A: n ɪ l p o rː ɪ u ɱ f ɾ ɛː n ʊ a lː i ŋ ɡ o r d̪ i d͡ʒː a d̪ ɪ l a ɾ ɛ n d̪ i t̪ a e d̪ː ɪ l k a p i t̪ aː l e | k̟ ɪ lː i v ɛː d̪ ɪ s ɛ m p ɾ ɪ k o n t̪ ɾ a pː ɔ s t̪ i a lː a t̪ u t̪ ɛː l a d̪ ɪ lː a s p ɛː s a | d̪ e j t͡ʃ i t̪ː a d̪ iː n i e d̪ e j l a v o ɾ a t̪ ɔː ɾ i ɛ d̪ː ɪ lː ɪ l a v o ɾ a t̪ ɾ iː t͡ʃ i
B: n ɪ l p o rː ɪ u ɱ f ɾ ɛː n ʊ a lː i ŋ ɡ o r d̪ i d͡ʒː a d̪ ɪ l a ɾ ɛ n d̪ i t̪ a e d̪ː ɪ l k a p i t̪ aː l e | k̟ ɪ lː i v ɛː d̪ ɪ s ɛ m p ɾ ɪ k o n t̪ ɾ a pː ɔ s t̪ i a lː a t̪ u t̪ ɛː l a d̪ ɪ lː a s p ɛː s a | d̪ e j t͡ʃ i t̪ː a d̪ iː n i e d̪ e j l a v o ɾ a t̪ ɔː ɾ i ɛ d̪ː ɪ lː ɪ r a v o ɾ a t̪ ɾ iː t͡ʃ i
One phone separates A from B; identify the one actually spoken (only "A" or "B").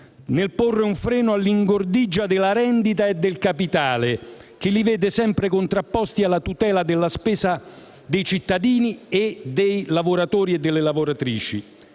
A